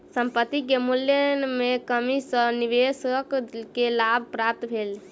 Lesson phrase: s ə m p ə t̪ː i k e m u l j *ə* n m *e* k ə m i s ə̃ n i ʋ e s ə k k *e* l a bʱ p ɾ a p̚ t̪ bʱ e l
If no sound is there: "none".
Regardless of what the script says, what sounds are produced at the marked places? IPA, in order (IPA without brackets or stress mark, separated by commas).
ə, e, e